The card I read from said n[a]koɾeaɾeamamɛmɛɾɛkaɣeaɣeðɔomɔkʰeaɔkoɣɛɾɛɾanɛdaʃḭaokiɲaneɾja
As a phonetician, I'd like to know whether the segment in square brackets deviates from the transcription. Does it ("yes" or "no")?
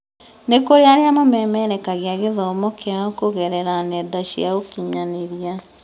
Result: yes